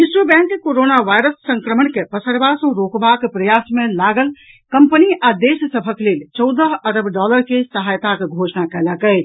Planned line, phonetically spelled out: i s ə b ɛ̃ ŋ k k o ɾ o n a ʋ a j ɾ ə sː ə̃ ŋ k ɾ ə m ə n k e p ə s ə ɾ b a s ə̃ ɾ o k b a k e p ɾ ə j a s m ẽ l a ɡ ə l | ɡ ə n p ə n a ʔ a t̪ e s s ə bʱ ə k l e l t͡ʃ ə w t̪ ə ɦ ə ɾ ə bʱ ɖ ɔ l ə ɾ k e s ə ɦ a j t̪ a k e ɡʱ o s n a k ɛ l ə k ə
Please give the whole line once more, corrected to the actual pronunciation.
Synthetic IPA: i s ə b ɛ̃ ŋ k k o ɾ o n a ʋ a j ɾ ə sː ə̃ ŋ k ɾ ə m ə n k e p ə s ə ɾ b a s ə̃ ɾ o k b a k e p ɾ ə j a s m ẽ l a ɡ ə l | k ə m p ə n i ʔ a d̪ e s s ə bʱ ə k l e l t͡ʃ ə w d̪ ə ɦ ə ɾ ə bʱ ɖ ɔ l ə ɾ k e s ə ɦ a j t̪ a k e ɡʱ o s n a k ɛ l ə k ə